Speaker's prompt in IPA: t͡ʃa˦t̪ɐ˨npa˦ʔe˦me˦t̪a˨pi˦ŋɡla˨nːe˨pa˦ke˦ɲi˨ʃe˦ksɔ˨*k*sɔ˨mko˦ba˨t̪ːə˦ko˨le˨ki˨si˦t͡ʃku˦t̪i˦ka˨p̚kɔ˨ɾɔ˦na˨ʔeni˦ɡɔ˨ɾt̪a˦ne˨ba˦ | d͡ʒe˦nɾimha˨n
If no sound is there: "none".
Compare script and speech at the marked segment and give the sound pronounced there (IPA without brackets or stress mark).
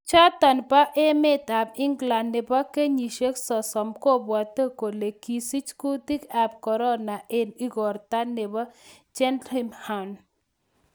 none